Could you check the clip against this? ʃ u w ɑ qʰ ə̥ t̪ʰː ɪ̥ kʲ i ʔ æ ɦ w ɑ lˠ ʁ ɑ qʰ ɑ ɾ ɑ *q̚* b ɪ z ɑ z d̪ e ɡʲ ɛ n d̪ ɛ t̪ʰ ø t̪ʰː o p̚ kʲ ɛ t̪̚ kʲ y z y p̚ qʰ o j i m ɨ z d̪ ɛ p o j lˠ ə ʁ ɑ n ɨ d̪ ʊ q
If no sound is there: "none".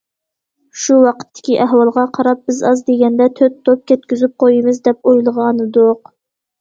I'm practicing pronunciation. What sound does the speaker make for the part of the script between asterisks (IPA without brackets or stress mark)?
p̚